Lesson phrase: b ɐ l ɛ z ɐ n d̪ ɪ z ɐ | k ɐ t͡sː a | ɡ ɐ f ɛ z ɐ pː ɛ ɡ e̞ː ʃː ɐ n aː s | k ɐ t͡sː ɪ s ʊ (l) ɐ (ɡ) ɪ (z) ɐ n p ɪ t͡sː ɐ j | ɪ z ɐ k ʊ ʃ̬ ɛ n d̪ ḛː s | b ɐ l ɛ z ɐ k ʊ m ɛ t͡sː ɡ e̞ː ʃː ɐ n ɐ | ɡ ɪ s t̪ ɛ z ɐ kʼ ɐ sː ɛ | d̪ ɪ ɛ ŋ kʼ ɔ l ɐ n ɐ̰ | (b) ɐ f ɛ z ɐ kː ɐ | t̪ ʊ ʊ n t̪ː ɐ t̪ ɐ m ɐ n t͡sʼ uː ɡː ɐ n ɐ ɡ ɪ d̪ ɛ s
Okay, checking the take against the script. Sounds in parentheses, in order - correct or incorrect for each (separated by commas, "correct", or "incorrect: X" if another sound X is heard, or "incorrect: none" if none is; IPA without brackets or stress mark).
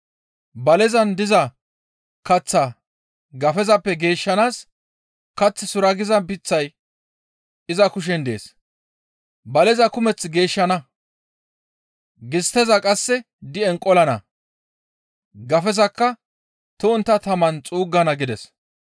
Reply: incorrect: ɾ, correct, correct, incorrect: ɡ